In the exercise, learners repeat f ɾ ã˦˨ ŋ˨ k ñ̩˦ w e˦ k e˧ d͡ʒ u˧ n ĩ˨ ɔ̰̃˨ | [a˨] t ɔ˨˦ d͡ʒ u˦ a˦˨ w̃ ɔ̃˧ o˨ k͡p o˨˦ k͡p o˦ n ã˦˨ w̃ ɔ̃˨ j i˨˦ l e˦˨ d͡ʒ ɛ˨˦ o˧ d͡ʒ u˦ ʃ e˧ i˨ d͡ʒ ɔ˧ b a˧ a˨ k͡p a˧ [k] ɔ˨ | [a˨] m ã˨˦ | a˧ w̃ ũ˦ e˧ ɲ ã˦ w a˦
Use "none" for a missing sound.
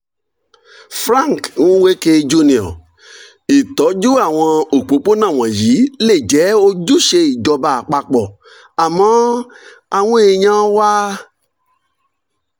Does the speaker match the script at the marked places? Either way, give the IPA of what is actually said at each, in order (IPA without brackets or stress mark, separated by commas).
i˨, k͡p, a˨